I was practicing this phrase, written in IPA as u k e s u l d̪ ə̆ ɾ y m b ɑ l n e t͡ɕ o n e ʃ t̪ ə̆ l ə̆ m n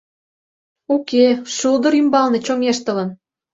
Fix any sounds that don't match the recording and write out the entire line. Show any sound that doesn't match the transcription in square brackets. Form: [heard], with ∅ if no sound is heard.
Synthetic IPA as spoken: u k e [ʃ] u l d̪ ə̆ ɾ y m b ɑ l n e t͡ɕ o [ŋ] e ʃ t̪ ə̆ l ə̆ [∅] n